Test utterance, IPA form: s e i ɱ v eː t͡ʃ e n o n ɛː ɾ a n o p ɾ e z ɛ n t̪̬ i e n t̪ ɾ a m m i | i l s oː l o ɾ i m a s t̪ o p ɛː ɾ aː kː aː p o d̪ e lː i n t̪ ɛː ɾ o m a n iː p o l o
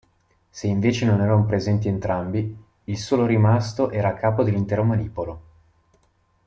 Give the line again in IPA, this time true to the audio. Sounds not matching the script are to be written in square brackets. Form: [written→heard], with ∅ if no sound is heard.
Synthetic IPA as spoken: s e i ɱ v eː t͡ʃ e n o n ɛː ɾ a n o p ɾ e z ɛ n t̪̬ i e n t̪ ɾ a m [m→b] i | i l s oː l o ɾ i m a s t̪ o [p→ʔ] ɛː ɾ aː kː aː p o d̪ e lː i n t̪ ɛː ɾ o m a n iː p o l o